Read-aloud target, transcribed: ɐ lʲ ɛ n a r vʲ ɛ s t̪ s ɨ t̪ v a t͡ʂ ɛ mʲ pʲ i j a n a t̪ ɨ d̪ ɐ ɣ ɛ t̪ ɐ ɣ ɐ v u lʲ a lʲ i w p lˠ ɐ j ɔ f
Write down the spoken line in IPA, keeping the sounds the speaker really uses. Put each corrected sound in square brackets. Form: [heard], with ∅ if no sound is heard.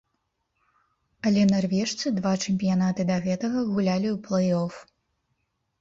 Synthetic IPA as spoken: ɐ lʲ ɛ n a r vʲ ɛ [ʂ] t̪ s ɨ [d̪] v a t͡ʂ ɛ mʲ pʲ i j a n a t̪ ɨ d̪ ɐ ɣ ɛ t̪ ɐ ɣ ɐ [ɣ] u lʲ a lʲ i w p lˠ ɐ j ɔ f